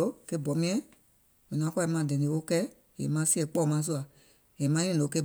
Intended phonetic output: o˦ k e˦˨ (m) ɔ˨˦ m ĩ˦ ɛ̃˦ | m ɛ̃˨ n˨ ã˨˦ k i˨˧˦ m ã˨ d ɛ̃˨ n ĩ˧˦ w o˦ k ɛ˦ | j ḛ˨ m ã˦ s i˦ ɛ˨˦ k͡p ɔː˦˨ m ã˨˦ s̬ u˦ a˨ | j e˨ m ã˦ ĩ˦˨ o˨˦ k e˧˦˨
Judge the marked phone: incorrect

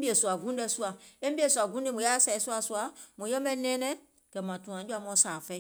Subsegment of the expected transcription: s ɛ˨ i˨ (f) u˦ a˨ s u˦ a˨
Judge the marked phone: incorrect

